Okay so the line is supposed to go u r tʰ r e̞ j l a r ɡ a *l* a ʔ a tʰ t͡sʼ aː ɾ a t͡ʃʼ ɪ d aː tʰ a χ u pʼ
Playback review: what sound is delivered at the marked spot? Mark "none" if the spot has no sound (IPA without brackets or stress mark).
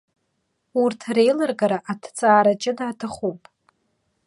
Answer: ɾ